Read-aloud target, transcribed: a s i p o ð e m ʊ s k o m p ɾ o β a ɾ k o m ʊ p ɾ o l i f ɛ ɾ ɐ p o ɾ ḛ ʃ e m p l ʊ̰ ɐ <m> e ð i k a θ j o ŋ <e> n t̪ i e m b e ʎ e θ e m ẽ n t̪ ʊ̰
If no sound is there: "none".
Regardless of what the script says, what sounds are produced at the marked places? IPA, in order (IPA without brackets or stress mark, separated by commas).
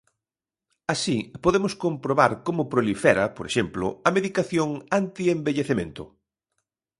m, a